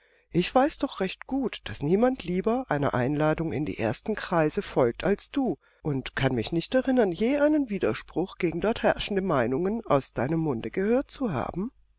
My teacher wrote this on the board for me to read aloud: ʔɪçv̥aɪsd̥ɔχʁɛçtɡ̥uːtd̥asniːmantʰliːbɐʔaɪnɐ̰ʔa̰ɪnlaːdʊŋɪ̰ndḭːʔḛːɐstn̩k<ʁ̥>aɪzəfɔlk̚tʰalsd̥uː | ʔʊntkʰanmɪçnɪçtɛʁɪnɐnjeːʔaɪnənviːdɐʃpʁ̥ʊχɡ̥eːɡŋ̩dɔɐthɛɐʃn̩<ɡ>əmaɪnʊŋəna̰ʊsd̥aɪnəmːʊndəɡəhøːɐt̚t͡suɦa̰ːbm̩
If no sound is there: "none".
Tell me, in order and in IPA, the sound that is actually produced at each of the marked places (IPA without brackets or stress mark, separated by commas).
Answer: ʁ̥, d